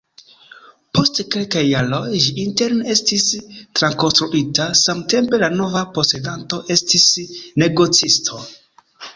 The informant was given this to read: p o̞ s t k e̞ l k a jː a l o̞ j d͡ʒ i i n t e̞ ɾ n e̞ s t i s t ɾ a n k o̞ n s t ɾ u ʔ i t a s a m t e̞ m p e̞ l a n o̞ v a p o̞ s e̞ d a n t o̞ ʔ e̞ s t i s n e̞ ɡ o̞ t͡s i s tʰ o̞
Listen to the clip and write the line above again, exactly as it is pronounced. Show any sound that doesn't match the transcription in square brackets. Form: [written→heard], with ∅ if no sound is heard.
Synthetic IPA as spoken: p o̞ s t k e̞ l k a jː a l o̞ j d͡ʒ i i n t e̞ ɾ n e̞ s t i s t ɾ a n k o̞ n s t ɾ u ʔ i t a s a m t e̞ m p e̞ l a n o̞ v a p o̞ s e̞ d a n t o̞ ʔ e̞ s t i s n e̞ ɡ o̞ t͡s i s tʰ o̞